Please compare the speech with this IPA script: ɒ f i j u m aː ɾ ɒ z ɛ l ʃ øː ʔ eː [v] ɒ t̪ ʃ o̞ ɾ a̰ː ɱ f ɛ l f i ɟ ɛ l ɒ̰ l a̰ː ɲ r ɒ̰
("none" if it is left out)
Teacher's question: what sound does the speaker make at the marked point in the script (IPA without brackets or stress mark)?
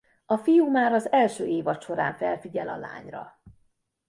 v